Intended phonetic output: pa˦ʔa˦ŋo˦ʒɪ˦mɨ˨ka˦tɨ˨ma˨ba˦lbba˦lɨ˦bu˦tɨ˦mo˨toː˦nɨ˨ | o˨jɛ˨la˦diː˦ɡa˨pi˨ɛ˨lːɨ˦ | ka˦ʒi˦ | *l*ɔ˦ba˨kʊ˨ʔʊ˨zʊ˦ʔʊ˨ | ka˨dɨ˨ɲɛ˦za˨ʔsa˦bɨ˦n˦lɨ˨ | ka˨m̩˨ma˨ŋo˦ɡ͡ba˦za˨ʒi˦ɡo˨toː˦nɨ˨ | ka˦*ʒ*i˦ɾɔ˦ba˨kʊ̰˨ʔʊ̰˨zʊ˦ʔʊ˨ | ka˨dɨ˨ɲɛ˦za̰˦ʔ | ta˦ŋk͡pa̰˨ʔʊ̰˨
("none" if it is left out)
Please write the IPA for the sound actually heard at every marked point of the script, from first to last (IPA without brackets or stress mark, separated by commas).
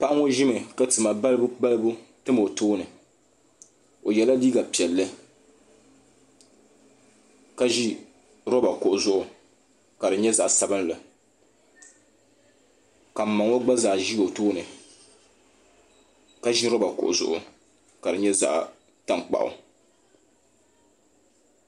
ɾ, ʒ